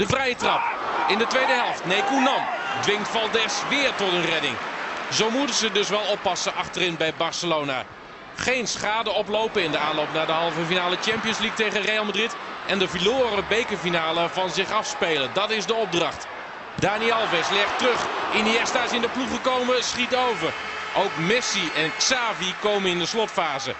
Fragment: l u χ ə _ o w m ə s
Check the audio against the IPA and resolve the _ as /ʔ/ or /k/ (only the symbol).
k